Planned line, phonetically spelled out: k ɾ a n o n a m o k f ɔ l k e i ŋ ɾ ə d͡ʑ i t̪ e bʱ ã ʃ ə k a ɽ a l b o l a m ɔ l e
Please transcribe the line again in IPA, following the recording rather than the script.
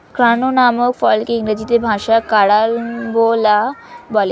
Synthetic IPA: k ɾ a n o n a m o k f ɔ l k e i ŋ ɾ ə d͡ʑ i t̪ e bʱ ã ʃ a k a ɽ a l b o l a b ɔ l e